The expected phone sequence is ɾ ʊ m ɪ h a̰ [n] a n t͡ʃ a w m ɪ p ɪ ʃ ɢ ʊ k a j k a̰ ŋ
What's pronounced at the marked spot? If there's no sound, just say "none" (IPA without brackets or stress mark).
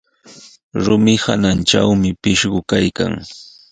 n